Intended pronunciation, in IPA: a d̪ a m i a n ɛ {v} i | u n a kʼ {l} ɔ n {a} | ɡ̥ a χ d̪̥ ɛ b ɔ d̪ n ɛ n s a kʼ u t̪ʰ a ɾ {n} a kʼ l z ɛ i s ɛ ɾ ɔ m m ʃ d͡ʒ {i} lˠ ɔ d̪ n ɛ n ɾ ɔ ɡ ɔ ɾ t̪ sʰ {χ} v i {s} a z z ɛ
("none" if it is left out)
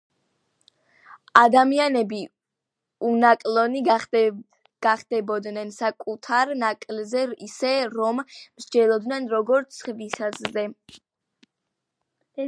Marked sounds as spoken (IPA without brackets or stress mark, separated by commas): b, l, i, n, ɛ, χ, s